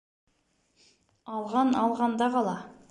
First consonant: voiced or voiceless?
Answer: voiced